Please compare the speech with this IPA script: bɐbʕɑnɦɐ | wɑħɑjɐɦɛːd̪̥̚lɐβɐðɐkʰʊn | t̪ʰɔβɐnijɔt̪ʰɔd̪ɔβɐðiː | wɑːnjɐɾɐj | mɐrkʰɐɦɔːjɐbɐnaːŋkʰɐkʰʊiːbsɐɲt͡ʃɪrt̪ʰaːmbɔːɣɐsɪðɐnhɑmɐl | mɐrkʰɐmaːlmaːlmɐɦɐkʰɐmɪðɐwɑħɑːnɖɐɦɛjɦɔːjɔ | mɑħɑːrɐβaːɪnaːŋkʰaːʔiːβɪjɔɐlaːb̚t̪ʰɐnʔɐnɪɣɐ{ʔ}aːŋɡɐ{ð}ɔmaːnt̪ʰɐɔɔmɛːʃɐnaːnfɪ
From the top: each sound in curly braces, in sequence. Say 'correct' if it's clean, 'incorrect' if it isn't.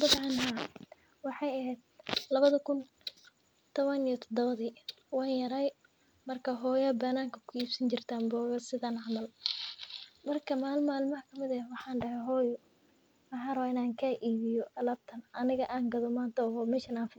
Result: correct, correct

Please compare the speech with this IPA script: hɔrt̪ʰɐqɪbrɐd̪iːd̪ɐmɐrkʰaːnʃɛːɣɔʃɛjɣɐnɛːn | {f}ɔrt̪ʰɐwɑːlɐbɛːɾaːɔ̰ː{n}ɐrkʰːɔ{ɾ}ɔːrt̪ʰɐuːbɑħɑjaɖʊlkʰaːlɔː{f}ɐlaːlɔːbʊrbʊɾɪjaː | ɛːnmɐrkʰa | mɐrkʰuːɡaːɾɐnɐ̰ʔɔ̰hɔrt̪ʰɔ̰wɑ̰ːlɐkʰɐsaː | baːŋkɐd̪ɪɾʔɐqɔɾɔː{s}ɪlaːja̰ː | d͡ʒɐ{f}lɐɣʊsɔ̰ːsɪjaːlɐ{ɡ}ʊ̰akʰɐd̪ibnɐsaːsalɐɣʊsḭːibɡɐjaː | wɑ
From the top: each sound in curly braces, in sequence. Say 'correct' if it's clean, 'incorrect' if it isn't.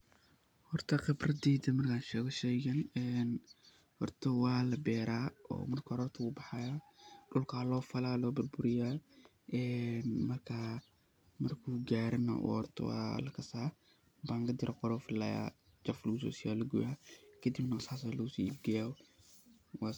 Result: incorrect: h, incorrect: m, correct, correct, incorrect: f, correct, correct

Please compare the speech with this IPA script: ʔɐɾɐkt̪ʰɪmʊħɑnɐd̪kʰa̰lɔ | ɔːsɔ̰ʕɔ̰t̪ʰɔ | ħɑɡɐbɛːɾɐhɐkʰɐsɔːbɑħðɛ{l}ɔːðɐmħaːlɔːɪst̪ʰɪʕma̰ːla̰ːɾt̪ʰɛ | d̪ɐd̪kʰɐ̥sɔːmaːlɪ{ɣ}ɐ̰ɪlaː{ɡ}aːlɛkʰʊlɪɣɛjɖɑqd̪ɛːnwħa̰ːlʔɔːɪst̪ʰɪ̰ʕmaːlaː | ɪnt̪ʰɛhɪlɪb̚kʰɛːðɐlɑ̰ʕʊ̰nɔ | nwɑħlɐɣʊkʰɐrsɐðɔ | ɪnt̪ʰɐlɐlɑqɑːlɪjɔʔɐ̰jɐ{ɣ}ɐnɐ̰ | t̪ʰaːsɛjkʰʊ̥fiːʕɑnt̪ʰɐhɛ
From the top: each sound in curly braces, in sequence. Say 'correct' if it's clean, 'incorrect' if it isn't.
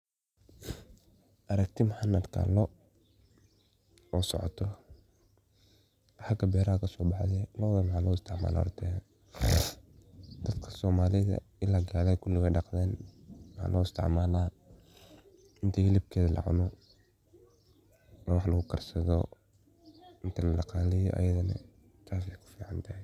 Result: correct, incorrect: ð, correct, incorrect: ð

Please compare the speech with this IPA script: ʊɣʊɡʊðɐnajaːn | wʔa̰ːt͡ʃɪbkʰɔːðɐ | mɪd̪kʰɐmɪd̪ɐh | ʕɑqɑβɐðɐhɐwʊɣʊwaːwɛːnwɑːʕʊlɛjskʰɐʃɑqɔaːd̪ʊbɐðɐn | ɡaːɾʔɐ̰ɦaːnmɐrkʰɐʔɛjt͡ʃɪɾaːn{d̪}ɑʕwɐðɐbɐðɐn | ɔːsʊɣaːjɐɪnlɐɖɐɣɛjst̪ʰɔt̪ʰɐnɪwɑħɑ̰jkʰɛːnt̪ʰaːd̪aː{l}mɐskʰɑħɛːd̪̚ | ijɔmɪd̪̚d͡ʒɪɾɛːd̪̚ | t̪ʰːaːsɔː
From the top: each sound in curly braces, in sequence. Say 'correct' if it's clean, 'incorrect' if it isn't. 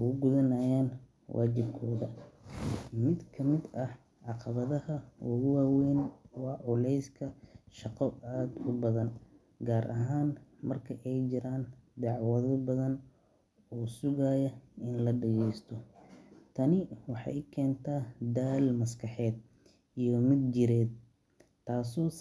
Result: correct, correct

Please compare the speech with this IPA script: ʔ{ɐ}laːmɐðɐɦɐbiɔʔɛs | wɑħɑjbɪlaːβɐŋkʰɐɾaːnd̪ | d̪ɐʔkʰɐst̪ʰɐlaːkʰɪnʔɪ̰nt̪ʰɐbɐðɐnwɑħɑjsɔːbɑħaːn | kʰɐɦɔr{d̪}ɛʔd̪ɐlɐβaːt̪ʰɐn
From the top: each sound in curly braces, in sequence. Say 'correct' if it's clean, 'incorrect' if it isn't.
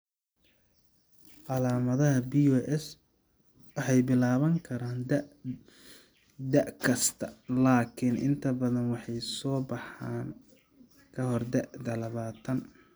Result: incorrect: ɑ, correct

